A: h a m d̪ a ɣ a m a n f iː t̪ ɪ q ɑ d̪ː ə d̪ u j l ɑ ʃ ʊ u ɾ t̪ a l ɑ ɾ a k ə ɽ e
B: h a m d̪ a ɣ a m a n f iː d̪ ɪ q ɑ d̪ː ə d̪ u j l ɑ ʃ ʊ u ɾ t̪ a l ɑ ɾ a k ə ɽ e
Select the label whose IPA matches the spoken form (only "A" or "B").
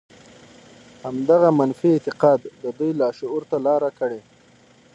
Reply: A